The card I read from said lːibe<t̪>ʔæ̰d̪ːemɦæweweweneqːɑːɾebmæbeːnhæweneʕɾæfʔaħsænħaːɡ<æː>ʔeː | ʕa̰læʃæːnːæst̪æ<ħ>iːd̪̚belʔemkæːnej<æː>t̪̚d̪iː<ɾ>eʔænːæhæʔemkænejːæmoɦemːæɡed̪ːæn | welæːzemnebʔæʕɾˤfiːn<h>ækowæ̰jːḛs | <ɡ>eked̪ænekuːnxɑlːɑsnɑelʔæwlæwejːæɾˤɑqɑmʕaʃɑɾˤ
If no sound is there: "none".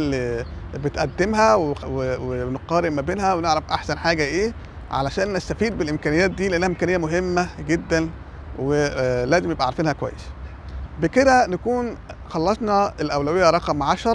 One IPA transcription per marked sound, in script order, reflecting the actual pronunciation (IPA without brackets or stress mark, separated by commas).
t̪, æ, f, æː, l, h, b